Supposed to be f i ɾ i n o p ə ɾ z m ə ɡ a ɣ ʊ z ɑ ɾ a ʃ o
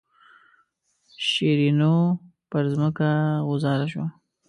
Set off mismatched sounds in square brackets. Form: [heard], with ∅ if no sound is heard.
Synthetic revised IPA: [ʃ] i ɾ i n o p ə ɾ z m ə [k] a ɣ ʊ z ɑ ɾ a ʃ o